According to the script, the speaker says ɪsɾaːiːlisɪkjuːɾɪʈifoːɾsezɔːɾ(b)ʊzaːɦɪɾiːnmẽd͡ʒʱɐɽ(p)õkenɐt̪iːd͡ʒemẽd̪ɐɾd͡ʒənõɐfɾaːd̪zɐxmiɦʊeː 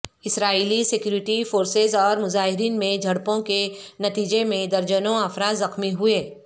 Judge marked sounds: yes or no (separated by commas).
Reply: no, yes